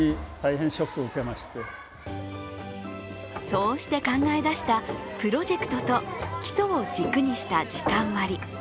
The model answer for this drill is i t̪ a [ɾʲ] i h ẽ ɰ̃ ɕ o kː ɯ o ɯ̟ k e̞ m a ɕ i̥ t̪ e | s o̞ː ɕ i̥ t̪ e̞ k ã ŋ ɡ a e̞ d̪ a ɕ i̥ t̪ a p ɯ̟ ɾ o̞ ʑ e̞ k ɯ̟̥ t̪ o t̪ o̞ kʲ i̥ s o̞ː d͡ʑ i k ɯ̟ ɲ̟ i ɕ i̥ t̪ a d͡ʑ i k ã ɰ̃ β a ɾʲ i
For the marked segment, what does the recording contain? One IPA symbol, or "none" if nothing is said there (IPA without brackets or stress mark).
none